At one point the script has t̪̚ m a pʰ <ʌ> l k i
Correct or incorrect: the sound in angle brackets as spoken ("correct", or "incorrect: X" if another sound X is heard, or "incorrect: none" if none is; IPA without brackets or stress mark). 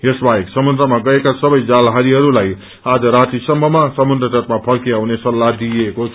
correct